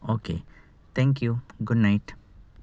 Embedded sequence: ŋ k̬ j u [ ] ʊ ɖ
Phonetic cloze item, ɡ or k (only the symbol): ɡ